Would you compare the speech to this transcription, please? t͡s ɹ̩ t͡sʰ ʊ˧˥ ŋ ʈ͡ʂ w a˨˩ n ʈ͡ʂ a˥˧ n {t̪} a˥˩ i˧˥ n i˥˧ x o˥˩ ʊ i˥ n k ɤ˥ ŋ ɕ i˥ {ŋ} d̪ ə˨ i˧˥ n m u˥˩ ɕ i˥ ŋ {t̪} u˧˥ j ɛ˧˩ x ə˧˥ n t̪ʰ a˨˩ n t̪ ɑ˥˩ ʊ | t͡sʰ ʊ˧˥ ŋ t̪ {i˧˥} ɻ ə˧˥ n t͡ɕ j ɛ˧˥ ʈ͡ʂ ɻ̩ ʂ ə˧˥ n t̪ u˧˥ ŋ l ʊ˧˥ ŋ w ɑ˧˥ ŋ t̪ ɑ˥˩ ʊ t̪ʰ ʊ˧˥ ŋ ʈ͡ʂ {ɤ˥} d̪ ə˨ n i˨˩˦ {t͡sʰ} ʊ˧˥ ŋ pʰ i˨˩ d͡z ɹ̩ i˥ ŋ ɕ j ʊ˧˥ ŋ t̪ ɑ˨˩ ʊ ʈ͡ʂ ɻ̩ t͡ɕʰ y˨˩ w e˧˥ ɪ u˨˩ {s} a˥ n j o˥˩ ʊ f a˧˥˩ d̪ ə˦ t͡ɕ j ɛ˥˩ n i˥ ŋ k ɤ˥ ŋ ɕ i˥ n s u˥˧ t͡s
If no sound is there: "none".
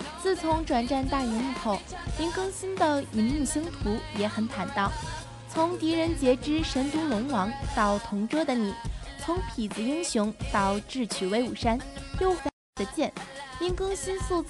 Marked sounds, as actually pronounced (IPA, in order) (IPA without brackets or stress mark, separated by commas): t̪, n, t̪ʰ, i˧˥, ɤ˥, t͡sʰ, ʂ